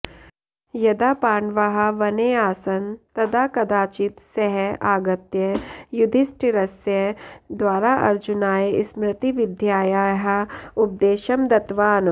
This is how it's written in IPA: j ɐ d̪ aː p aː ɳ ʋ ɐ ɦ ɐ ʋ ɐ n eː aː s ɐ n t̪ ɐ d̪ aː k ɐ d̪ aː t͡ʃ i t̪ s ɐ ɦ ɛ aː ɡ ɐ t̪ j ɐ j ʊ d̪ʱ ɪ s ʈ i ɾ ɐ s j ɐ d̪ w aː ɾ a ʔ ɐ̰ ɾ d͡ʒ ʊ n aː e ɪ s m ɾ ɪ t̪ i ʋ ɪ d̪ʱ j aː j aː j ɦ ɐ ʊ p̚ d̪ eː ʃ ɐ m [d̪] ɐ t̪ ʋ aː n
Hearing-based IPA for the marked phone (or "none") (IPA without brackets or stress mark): d̪